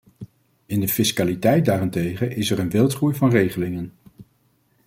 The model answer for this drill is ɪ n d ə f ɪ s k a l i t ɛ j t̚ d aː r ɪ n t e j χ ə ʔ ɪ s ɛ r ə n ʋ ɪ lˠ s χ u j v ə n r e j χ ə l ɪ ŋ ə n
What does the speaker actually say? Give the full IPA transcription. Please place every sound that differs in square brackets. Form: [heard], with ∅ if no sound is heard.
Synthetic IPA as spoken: ɪ n d ə f ɪ s k a l i t ɛ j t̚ d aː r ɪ n t e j χ ə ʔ ɪ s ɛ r ə n ʋ ɪ lˠ [t] χ u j v [ɑ] n r e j χ ə l ɪ ŋ ə n